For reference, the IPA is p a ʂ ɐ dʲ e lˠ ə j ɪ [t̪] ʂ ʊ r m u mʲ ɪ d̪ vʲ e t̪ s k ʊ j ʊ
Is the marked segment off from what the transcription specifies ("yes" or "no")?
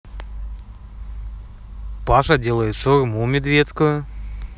no